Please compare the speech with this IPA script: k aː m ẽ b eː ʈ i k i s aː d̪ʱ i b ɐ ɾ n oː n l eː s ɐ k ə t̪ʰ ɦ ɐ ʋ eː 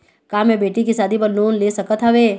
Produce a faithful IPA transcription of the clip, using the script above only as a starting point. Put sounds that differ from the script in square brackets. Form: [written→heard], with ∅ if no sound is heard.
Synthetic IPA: k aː m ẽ b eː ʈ i k i s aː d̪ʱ i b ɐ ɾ n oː n l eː s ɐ k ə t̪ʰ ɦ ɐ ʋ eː